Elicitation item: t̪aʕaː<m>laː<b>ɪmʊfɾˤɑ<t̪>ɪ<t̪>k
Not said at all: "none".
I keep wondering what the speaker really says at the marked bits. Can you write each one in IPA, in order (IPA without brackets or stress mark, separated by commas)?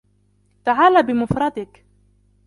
none, b, d̪, none